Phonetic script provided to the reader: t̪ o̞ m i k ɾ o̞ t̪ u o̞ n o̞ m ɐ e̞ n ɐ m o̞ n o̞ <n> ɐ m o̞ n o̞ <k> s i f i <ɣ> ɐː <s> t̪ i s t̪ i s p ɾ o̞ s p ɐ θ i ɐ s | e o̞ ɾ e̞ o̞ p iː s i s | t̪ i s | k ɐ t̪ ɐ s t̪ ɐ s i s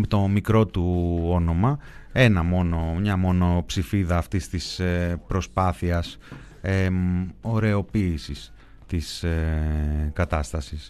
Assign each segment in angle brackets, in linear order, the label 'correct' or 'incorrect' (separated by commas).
incorrect, incorrect, incorrect, incorrect